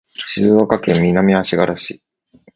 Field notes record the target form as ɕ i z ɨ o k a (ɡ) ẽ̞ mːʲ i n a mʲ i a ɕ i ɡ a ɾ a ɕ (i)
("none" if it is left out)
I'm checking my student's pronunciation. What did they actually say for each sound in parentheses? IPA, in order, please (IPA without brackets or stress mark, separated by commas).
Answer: k, i